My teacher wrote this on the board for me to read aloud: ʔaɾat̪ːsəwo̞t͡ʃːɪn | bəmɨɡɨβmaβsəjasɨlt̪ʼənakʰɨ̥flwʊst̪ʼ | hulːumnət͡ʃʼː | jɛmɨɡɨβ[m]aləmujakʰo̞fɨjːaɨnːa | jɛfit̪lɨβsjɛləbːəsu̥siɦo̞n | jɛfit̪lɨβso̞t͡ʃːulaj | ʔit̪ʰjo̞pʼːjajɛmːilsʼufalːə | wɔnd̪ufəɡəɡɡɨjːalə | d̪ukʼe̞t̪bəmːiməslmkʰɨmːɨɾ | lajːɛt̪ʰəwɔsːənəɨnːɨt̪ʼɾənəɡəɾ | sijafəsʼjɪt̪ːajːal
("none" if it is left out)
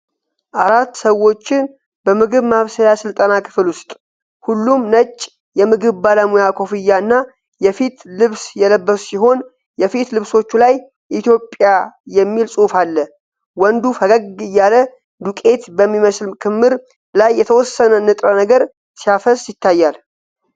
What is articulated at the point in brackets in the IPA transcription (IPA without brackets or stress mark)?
b